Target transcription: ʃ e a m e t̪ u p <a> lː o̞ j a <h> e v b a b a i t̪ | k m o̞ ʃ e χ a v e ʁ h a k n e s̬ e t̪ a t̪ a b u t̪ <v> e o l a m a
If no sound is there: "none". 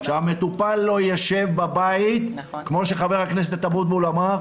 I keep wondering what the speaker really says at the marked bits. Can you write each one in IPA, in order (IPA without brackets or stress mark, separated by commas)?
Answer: a, ʃ, b